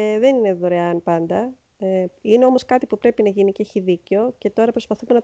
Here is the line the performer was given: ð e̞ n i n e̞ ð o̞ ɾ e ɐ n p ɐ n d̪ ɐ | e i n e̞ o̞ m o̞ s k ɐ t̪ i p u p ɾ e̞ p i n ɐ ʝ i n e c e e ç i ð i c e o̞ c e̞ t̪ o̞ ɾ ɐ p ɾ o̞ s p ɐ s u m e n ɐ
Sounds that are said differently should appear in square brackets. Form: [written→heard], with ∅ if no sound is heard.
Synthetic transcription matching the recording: ð e̞ n i n e̞ ð o̞ ɾ e ɐ n p ɐ n d̪ ɐ | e i n e̞ o̞ m o̞ s k ɐ t̪ i p u p ɾ e̞ p i n ɐ ʝ i n [e→i] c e e ç i ð i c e o̞ c e̞ t̪ o̞ ɾ ɐ p ɾ o̞ s p ɐ [s→θ] u m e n ɐ